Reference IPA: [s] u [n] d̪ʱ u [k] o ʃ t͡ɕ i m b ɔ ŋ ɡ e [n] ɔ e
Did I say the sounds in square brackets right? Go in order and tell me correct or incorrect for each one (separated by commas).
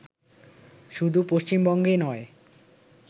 incorrect, incorrect, incorrect, correct